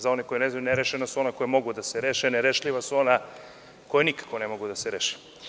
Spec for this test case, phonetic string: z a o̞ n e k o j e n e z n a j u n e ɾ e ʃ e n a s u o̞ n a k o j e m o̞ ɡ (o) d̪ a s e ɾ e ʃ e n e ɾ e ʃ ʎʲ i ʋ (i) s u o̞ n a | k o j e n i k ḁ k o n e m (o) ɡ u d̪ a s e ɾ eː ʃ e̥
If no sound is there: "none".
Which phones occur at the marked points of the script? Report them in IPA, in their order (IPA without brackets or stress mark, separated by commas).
u, a, o